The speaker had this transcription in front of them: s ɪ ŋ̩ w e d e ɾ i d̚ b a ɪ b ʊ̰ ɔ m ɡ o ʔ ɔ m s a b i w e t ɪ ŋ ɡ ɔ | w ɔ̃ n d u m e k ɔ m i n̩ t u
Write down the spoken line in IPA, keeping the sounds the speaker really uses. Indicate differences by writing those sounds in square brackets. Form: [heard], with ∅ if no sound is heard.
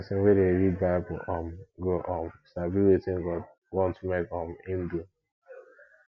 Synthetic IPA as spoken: s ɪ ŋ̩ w e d e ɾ i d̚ b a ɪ b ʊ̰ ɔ m ɡ o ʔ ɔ m s a b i w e t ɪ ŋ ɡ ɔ | w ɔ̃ n [t] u m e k ɔ m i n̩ [d] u